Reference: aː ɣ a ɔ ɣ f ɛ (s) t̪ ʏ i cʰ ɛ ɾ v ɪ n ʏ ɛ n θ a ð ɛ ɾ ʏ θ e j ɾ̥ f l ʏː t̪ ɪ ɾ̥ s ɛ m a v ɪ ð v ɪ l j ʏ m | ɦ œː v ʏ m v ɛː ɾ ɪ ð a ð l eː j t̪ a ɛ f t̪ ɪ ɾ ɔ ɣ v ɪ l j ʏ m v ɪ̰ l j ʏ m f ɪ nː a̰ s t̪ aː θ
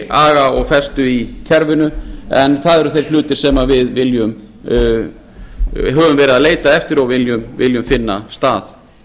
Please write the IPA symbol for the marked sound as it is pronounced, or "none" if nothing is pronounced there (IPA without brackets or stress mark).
s